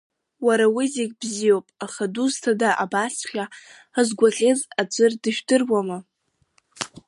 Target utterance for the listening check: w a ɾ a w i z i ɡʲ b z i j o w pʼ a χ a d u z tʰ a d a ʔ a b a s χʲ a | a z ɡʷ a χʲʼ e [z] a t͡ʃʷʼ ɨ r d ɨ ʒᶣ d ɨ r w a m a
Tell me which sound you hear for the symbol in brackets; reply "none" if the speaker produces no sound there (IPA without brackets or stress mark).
z